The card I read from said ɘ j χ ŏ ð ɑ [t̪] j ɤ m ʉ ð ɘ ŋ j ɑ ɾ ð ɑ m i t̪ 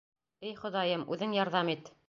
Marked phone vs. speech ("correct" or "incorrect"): incorrect